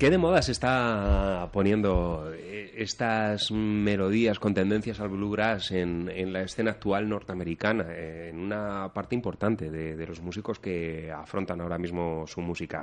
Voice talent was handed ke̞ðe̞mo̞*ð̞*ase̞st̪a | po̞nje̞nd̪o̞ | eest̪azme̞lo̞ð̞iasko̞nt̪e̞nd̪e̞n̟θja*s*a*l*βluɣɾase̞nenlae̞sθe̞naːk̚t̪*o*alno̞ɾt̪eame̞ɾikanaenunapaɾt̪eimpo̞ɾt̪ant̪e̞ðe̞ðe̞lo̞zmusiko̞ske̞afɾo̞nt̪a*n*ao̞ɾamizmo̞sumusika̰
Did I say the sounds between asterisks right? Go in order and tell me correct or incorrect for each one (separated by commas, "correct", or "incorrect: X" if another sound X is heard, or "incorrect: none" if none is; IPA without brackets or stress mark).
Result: correct, correct, correct, incorrect: u, correct